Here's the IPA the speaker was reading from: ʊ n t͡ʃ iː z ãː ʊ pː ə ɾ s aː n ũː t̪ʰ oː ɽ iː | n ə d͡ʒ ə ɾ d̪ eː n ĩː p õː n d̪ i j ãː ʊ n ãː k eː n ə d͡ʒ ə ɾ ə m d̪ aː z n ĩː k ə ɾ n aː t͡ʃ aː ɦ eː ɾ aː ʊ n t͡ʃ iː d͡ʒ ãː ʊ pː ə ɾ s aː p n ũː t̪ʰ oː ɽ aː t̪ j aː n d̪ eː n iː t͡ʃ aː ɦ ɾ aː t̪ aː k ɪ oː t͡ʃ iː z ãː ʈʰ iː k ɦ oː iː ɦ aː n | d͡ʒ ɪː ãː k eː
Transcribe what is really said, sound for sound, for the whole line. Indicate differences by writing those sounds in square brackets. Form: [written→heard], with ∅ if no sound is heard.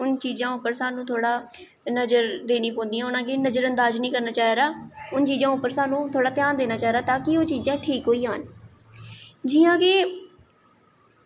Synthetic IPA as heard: ʊ n t͡ʃ iː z ãː ʊ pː ə ɾ s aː n ũː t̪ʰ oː ɽ [iː→aː] | n ə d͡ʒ ə ɾ d̪ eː n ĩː p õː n d̪ i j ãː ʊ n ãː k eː n ə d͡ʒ ə ɾ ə [m→n] d̪ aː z n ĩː k ə ɾ n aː t͡ʃ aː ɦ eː ɾ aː ʊ n t͡ʃ iː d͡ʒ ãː ʊ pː ə ɾ s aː [p→∅] n ũː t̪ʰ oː ɽ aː t̪ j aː n d̪ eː n [iː→aː] t͡ʃ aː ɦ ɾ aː t̪ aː k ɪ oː t͡ʃ iː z ãː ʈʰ iː k ɦ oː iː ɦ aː n | d͡ʒ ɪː ãː k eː